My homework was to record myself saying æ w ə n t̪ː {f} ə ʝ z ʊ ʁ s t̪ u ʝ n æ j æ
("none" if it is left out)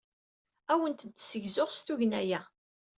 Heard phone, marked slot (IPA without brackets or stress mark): s